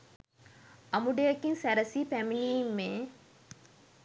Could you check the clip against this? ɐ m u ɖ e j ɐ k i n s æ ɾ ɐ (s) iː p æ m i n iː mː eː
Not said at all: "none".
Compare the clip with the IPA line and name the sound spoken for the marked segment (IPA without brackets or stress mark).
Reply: s